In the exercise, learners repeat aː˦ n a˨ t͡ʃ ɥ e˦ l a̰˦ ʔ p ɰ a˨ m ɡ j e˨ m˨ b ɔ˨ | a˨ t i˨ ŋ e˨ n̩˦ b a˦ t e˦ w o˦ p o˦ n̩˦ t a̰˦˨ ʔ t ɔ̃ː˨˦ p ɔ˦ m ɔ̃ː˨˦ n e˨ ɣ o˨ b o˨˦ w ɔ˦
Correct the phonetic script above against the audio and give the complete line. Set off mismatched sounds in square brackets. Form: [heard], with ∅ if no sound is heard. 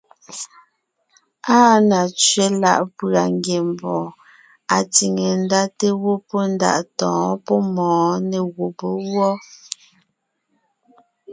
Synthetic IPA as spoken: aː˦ n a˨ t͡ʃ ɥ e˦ l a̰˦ ʔ p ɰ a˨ [ŋ] ɡ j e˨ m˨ b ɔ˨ | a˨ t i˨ ŋ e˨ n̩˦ [d] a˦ t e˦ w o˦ p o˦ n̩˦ [d] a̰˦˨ ʔ t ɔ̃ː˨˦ p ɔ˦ m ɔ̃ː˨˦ n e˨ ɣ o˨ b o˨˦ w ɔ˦